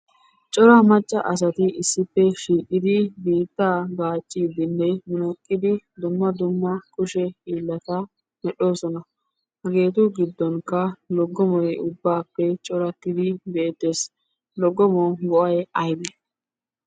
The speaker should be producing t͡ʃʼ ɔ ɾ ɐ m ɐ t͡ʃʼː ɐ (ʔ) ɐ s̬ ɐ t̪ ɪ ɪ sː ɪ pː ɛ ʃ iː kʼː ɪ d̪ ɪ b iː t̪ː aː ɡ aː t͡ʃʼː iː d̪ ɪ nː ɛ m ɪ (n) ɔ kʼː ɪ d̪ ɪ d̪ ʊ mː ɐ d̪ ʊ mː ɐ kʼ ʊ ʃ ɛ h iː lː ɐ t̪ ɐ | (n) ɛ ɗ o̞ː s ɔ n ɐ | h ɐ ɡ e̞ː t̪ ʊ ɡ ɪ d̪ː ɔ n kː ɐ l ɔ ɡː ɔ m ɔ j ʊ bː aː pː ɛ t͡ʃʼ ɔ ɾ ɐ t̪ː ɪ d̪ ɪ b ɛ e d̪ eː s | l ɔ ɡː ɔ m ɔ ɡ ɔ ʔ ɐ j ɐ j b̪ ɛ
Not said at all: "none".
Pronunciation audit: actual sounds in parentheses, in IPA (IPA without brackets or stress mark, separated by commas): ʔ, n, m